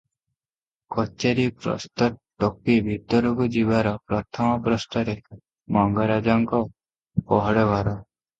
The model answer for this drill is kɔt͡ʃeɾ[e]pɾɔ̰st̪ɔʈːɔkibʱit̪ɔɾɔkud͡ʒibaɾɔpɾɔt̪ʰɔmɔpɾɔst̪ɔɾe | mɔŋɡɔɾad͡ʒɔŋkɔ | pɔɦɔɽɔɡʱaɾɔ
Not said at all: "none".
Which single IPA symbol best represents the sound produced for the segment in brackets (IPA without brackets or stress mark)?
i